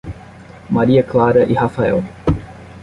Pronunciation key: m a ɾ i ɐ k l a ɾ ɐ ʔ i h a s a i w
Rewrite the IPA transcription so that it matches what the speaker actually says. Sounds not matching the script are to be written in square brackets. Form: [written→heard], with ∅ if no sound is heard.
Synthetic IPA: m a ɾ i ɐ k l a ɾ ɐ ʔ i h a [s→f] a [i→ɛ] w